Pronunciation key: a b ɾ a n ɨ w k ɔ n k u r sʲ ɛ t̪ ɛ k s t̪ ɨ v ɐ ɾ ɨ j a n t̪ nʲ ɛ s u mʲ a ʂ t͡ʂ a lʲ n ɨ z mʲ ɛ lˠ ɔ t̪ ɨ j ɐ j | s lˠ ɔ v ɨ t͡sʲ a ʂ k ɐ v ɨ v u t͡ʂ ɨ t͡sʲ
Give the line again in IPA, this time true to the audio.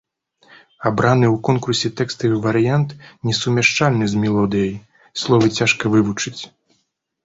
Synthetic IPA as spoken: a b ɾ a n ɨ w k ɔ n k u r sʲ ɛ t̪ ɛ k s t̪ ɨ v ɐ ɾ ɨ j a n t̪ nʲ ɛ s u mʲ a ʂ t͡ʂ a lʲ n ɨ z mʲ ɛ lˠ ɔ d̪ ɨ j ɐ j | s lˠ ɔ v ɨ t͡sʲ a ʂ k ɐ v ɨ v u t͡ʂ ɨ t͡sʲ

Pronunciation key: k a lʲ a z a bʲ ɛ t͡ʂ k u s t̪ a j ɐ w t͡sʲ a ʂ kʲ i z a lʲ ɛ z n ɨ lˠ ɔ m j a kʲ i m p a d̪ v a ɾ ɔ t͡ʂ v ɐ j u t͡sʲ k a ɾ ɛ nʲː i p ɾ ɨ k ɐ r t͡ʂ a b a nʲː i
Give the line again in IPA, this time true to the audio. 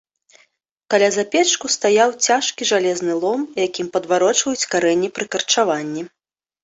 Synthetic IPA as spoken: k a lʲ a z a pʲ ɛ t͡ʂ k u s t̪ a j a w t͡sʲ a ʂ kʲ i ʐ a lʲ ɛ z n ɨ lˠ ɔ m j a kʲ i m p ɐ d̪ v a ɾ ɔ t͡ʂ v ɐ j u t͡sʲ k a ɾ ɛ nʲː i p ɾ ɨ k ɐ r t͡ʂ a v a nʲː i

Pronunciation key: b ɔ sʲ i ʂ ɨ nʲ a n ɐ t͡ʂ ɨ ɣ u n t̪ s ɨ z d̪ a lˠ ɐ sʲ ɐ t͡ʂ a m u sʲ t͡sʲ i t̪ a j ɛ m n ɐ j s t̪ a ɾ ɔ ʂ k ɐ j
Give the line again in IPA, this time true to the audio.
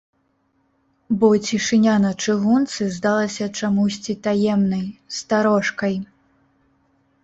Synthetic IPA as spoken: b ɔ t͡sʲ i ʂ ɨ nʲ a n ɐ t͡ʂ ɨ ɣ u n t̪ s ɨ z d̪ a lˠ ɐ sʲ ɐ t͡ʂ a m u sʲ t͡sʲ i t̪ a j ɛ m n ɐ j s t̪ a ɾ ɔ ʂ k ɐ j

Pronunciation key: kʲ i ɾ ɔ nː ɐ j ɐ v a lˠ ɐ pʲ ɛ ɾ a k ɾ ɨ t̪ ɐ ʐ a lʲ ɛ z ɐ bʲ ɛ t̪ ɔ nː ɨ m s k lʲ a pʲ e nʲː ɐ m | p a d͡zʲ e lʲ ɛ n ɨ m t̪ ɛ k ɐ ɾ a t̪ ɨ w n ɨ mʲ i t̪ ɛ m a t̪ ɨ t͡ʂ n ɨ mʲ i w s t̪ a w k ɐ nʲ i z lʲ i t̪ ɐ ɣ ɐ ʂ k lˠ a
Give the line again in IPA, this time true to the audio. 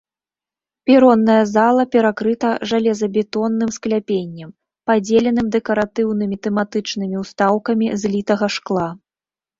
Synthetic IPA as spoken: pʲ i ɾ ɔ nː ɐ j ɐ z a lˠ ɐ pʲ ɛ ɾ a k ɾ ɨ t̪ ɐ ʐ a lʲ ɛ z ɐ bʲ ɛ t̪ ɔ nː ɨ m s k lʲ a pʲ e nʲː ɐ m | p a d͡zʲ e lʲ ɛ n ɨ m d̪ ɛ k ɐ ɾ a t̪ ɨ w n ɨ mʲ i t̪ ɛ m a t̪ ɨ t͡ʂ n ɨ mʲ i w s t̪ a w k ɐ mʲ i z lʲ i t̪ ɐ ɣ ɐ ʂ k lˠ a

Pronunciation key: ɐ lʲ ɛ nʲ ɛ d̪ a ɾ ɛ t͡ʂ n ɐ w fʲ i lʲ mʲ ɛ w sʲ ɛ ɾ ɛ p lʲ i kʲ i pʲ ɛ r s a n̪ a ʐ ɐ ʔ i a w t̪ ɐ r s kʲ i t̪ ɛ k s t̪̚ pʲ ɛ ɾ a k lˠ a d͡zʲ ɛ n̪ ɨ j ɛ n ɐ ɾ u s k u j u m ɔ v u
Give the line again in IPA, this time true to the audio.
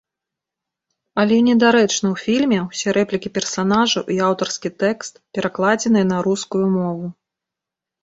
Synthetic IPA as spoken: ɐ lʲ ɛ nʲ ɛ d̪ a ɾ ɛ t͡ʂ n ɐ w fʲ i lʲ mʲ ɛ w sʲ ɛ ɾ ɛ p lʲ i kʲ i pʲ ɛ r s a n̪ a ʐ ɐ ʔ i a w t̪ ɐ r s kʲ i t̪ ɛ k s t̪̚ pʲ ɛ ɾ a k lˠ a d͡zʲ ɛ n̪ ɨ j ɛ n ɐ ɾ u s k u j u m ɔ v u

